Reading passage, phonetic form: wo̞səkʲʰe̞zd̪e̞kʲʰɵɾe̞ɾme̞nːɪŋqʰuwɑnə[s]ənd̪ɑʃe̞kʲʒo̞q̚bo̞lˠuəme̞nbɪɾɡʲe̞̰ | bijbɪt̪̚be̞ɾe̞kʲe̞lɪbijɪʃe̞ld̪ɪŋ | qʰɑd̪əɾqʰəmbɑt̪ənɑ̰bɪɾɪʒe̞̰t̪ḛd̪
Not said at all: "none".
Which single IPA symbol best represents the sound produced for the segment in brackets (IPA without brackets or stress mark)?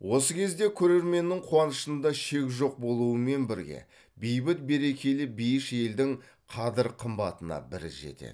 ʃ